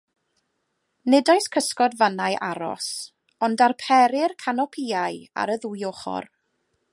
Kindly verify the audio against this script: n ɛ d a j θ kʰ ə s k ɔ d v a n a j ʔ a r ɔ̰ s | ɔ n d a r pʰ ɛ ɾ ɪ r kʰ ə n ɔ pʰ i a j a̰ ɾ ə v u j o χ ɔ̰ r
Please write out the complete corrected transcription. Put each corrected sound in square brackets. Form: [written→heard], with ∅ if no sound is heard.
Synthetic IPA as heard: n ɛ d a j [θ→s] kʰ ə s k ɔ d v a n a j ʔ a [r→ɾ] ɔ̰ s | ɔ n d a r pʰ ɛ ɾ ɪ r kʰ [ə→a] n ɔ pʰ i a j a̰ ɾ ə [v→ð] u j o χ ɔ̰ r